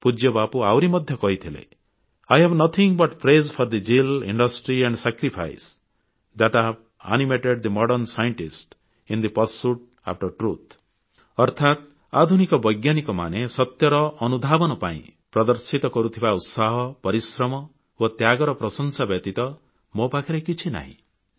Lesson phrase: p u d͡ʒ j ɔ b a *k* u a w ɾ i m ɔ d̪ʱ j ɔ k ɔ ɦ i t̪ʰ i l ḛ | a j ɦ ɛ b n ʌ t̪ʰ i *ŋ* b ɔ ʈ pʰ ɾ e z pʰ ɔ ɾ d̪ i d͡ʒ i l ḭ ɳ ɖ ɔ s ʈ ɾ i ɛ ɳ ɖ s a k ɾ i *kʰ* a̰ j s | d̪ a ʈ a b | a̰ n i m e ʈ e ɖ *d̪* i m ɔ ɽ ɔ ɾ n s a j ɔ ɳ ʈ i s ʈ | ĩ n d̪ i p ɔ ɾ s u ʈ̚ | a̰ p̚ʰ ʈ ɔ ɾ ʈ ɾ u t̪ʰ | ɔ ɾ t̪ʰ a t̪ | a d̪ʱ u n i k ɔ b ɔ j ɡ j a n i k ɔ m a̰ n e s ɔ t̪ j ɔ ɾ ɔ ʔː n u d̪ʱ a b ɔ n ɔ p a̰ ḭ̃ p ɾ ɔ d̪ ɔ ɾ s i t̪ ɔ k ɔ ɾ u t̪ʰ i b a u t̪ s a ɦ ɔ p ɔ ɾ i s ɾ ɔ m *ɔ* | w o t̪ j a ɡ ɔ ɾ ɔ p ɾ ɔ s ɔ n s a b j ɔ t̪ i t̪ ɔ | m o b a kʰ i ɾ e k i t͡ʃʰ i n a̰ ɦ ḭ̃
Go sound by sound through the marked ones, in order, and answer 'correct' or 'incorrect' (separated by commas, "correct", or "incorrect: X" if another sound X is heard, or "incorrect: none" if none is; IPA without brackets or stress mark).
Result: incorrect: p, correct, incorrect: pʰ, correct, correct